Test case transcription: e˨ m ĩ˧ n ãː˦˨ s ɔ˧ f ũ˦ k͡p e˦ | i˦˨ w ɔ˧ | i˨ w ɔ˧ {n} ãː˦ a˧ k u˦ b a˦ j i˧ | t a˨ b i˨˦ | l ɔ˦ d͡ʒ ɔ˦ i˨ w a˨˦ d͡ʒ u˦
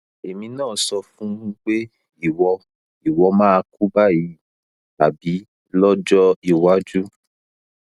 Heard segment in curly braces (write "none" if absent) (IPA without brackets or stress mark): m